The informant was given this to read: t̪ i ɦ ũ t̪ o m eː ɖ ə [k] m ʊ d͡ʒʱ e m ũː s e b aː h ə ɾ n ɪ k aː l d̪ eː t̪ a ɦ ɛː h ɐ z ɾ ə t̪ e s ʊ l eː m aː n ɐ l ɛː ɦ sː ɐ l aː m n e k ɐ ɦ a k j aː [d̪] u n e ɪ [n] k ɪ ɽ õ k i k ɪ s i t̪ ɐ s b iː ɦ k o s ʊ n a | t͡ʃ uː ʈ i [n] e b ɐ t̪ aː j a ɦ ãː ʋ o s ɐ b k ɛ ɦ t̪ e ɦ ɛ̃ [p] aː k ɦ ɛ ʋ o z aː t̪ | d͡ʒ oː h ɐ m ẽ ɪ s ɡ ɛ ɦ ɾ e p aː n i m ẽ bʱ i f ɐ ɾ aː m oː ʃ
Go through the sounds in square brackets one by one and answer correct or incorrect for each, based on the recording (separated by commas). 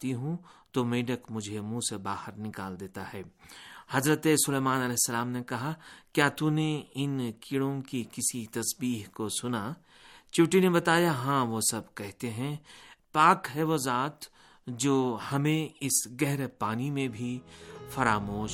correct, incorrect, correct, correct, correct